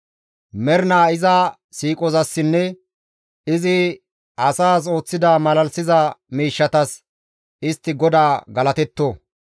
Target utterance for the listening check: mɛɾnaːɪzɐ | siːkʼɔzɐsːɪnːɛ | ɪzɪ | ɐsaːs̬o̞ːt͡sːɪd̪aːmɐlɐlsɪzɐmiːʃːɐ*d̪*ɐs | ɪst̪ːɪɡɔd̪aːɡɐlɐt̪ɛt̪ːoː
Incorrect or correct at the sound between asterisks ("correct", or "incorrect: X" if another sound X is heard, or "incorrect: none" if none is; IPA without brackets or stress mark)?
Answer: incorrect: t̪